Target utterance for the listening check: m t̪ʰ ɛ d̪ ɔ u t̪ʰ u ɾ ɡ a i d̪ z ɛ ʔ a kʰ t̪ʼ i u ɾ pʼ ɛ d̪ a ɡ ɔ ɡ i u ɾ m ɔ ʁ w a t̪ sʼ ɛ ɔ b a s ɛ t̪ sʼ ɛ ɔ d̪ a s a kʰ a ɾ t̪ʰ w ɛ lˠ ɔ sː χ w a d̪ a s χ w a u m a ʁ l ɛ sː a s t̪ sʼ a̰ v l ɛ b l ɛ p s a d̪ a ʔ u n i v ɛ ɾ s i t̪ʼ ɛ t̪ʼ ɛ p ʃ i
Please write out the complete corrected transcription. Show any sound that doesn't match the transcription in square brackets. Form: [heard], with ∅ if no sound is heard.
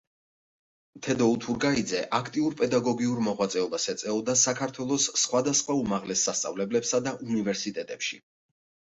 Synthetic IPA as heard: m t̪ʰ ɛ d̪ ɔ u t̪ʰ u ɾ ɡ a i d̪ z ɛ ʔ a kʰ t̪ʼ i u ɾ pʼ ɛ d̪ a ɡ ɔ ɡ i u ɾ m ɔ ʁ w a t̪ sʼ ɛ ɔ b a s ɛ t̪ sʼ ɛ ɔ d̪ a s a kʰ a ɾ t̪ʰ w ɛ lˠ ɔ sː χ w a d̪ a s χ w a u m a ʁ l ɛ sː a s t̪ sʼ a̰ v l ɛ b l ɛ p s a d̪ a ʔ u n i v ɛ ɾ s i t̪ʼ ɛ t̪ʼ ɛ p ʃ i